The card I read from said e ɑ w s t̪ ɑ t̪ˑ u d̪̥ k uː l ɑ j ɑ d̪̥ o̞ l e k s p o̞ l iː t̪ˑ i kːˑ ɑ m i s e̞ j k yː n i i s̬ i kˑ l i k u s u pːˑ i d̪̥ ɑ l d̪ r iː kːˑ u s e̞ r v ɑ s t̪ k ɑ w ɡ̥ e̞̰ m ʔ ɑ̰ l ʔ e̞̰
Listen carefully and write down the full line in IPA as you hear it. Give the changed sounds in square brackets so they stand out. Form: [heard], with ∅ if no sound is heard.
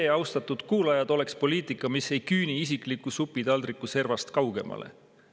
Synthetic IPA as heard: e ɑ w s t̪ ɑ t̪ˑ u d̪̥ k uː l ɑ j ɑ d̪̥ o̞ l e k s p o̞ l iː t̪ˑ i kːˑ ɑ m i s e̞ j k yː n i i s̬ i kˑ l i k u s u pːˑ i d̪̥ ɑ l d̪ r [i] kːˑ u s e̞ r v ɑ s t̪ k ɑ w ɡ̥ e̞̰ m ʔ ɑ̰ l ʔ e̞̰